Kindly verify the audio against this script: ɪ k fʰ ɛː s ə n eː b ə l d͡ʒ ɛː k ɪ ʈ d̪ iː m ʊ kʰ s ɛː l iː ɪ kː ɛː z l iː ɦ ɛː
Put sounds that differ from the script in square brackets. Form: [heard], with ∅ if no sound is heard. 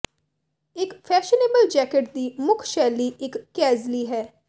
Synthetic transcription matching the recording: ɪ k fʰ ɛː [ʃ] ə n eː b ə l d͡ʒ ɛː k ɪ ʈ d̪ iː m ʊ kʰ [ʃ] ɛː l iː ɪ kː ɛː z l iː ɦ ɛː